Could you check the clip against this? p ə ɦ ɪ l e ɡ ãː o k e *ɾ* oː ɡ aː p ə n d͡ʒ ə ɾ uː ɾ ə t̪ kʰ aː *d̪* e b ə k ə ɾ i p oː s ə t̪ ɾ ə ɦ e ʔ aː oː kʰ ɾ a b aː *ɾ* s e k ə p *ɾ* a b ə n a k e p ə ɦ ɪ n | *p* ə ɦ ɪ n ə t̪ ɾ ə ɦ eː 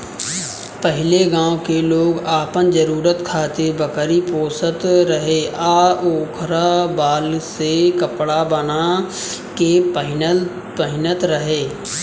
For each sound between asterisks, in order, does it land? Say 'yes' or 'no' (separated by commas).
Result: no, no, no, no, yes